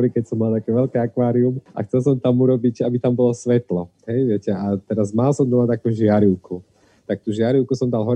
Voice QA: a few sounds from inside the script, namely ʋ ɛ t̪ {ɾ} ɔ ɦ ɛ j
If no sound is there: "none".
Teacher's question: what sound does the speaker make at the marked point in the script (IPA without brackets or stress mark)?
l